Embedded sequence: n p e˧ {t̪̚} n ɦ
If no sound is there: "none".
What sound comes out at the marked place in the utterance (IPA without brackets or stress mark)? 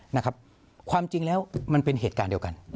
none